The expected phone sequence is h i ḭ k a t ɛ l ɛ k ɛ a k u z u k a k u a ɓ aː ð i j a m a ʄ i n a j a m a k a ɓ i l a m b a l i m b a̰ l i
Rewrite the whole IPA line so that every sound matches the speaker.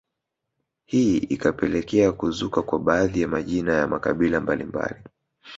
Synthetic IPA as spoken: h i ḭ k a p ɛ l ɛ k ɛ a k u z u k a k w a ɓ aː ð i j a m a ʄ i n a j a m a k a ɓ i l a m b a l i m b a̰ l i